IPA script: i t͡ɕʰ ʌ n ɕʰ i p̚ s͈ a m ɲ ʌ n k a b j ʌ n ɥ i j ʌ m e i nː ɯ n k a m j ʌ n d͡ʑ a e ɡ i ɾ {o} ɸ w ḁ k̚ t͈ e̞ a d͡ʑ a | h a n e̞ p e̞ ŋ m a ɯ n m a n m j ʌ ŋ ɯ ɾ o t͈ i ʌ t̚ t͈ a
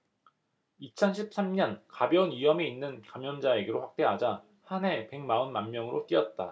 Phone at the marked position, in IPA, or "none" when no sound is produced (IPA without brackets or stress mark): o